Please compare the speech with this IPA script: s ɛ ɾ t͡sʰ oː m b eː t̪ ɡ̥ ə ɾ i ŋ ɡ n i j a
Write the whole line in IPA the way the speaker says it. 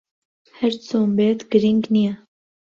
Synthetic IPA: h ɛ ɾ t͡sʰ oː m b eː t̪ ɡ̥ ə ɾ i ŋ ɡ n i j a

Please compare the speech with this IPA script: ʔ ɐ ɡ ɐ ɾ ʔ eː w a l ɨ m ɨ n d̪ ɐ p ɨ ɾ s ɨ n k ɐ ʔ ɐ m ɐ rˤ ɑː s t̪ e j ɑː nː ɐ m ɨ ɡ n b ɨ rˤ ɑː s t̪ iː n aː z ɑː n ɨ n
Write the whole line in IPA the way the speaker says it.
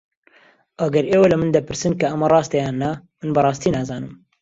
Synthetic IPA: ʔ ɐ ɡ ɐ ɾ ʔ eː w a l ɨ m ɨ n d̪ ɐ p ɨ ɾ s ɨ n k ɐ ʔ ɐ m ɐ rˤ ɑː s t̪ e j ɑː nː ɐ m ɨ n b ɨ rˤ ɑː s t̪ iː n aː z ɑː n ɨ m

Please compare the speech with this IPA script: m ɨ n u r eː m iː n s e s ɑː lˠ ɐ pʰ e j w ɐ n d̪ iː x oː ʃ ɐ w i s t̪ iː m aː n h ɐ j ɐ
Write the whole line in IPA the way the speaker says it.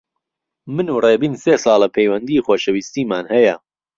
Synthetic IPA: m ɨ n u r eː b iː n s e s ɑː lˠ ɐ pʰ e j w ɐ n d̪ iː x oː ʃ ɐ w i s t̪ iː m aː n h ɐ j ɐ

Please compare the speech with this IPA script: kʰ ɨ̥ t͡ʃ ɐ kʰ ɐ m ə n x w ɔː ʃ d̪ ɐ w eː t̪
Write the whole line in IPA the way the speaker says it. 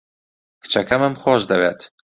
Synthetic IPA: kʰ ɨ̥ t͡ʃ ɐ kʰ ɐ m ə m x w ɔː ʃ d̪ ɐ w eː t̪

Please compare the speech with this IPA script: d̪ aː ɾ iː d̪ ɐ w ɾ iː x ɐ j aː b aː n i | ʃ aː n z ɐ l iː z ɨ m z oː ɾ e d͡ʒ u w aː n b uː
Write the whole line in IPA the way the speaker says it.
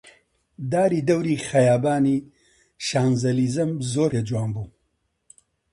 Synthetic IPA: d̪ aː ɾ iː d̪ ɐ w ɾ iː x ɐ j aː b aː n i | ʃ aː n z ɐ l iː z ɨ m z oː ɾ e d͡ʒ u w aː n b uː

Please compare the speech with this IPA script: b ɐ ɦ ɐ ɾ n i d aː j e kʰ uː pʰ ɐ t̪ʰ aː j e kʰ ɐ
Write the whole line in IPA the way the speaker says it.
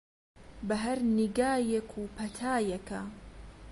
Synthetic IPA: b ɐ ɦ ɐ ɾ n i ɡ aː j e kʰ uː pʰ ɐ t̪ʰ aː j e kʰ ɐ

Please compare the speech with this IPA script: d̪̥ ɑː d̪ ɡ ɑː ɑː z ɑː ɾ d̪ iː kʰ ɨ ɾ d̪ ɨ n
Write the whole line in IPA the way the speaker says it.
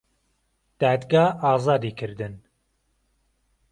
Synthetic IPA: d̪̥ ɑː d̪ ɡ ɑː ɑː z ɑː d̪ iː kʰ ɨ ɾ d̪ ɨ n

